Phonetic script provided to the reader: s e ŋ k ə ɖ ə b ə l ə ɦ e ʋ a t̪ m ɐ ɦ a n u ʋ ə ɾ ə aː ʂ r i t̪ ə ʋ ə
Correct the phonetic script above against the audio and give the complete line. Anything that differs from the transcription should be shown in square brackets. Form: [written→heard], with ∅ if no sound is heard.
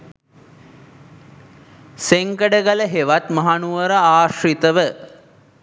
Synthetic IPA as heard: s e ŋ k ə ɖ ə [b→ɡ] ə l ə ɦ e ʋ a t̪ m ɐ ɦ a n u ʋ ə ɾ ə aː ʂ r i t̪ ə ʋ ə